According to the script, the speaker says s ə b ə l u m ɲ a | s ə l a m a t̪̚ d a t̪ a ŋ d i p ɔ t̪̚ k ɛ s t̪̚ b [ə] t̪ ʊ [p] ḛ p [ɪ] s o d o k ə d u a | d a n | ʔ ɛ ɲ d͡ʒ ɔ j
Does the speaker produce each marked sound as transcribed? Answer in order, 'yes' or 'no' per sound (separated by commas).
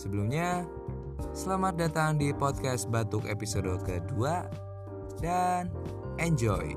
no, no, no